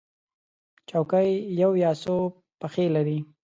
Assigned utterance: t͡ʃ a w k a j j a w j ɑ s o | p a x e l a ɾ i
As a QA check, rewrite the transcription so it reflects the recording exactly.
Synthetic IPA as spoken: t͡ʃ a w k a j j a w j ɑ s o | p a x e l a ɾ i